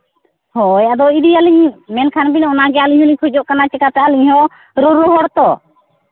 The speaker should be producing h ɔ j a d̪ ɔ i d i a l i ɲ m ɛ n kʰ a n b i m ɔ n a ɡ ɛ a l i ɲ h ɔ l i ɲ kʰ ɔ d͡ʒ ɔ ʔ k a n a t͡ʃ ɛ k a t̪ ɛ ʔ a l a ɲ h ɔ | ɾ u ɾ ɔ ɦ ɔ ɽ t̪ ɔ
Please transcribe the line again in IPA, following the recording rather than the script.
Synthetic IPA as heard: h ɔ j a d̪ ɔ i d i a l i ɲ m ɛ n kʰ a n b i n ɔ n a ɡ ɛ a l i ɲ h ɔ l i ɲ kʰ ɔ d͡ʒ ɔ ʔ k a n a t͡ʃ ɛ k a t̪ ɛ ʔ a l i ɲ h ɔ | ɾ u ɾ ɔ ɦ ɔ ɽ t̪ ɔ